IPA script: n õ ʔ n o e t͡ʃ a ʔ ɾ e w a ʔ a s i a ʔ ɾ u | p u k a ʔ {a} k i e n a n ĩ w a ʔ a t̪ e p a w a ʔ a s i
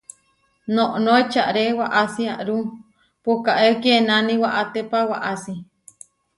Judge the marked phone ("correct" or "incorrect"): incorrect